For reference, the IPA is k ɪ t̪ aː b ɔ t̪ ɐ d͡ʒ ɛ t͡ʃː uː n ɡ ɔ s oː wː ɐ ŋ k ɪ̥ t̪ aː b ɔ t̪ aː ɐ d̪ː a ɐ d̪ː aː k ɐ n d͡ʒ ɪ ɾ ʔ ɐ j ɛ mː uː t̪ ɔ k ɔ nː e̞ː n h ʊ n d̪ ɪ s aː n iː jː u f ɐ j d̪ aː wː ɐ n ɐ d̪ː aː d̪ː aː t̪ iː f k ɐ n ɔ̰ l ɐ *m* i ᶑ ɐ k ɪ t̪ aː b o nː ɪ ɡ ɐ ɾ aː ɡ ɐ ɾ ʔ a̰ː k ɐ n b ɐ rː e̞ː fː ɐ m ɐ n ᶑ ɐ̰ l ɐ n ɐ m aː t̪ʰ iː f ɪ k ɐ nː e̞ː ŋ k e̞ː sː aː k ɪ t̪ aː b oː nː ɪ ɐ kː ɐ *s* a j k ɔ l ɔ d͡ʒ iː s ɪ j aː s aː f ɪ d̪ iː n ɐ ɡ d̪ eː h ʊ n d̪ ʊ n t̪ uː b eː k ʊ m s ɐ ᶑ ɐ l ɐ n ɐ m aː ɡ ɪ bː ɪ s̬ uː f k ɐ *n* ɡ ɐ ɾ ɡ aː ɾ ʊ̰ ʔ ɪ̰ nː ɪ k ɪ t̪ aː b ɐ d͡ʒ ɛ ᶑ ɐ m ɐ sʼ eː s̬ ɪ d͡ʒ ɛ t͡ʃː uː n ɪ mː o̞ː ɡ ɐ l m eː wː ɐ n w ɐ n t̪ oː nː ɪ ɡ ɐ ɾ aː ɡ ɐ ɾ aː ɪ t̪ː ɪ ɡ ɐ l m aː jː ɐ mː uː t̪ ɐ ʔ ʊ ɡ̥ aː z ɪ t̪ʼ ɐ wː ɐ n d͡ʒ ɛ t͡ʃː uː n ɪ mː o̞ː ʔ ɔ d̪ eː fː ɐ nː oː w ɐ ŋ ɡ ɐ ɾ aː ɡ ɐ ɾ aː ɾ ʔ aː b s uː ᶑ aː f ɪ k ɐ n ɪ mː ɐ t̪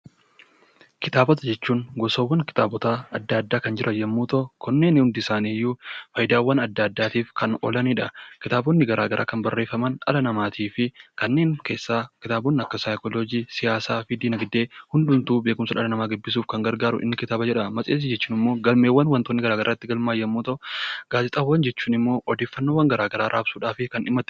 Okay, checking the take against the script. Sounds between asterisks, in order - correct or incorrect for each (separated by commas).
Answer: incorrect, correct, incorrect